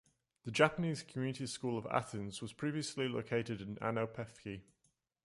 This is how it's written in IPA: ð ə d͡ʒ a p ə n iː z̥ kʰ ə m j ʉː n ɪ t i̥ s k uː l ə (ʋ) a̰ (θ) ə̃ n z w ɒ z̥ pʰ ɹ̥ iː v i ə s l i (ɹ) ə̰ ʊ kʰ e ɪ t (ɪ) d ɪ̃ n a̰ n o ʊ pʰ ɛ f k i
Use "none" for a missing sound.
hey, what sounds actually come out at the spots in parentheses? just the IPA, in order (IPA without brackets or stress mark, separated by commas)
v, θ, l, ɪ